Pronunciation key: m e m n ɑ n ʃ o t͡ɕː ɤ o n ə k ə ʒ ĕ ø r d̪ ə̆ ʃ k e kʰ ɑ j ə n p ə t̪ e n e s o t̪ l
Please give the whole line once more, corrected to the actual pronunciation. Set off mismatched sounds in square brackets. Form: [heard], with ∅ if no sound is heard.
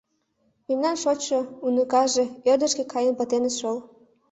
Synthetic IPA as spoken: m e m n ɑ n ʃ o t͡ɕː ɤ [u] n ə k [ɑ] ʒ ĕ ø r d̪ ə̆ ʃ k e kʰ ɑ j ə n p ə t̪ e n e [ʃ] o [∅] l